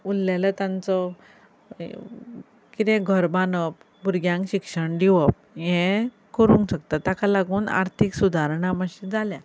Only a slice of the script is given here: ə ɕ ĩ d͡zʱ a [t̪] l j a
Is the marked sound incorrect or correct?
incorrect